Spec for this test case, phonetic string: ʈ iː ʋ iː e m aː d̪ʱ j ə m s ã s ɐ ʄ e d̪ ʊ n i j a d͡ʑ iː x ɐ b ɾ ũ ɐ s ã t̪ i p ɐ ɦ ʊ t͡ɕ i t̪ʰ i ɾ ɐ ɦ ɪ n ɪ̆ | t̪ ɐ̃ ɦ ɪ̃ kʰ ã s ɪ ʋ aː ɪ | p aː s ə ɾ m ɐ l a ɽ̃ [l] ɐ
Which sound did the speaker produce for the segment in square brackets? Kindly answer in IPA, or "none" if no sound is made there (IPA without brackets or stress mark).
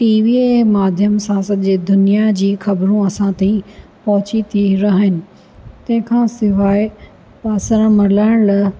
l